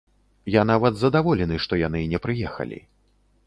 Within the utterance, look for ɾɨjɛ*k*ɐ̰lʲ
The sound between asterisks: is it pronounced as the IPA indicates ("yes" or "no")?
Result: no